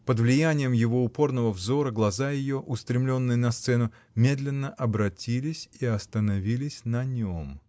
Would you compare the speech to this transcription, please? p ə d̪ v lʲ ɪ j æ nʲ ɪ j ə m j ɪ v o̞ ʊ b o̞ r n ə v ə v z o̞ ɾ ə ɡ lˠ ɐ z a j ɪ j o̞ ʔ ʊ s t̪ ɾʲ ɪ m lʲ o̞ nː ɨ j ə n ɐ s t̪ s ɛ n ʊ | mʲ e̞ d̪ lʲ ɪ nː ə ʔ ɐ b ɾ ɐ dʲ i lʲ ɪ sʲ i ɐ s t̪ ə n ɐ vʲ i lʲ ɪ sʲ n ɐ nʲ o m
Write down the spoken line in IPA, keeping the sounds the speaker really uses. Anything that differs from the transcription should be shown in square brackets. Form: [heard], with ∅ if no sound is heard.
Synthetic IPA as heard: p ə d̪ v lʲ ɪ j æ nʲ ɪ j ə m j ɪ v o̞ ʊ [p] o̞ r n ə v ə v z o̞ ɾ ə ɡ lˠ ɐ z a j ɪ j o̞ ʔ ʊ s t̪ ɾʲ ɪ m lʲ o̞ nː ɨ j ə n ɐ s t̪ s ɛ n ʊ | mʲ e̞ d̪ lʲ ɪ nː ə ʔ ɐ b ɾ ɐ [tʲ] i lʲ ɪ sʲ i ɐ s t̪ ə n ɐ vʲ i lʲ ɪ sʲ n ɐ nʲ o m